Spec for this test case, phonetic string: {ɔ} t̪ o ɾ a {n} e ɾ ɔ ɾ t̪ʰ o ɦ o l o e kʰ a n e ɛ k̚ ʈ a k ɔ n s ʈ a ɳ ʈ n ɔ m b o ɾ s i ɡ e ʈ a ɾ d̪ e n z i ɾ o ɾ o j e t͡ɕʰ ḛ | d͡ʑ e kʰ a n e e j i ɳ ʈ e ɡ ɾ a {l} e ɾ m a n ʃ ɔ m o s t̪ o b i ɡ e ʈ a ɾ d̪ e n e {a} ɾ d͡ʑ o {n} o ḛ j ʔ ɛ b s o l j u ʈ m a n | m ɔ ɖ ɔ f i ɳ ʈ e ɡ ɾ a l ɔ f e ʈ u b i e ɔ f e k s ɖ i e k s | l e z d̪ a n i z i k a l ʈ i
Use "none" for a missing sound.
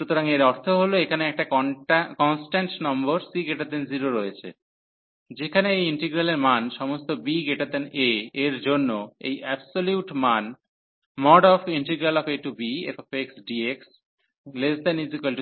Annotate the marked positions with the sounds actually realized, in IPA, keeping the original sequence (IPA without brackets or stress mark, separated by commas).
u, ŋ, l, e, nː